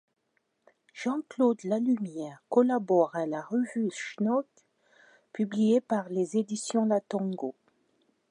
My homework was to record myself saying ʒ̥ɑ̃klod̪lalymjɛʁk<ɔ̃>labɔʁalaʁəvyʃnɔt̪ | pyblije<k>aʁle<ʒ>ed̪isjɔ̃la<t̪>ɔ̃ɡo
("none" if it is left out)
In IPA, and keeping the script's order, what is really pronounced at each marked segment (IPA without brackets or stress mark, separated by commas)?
ɔ, p, z, t̪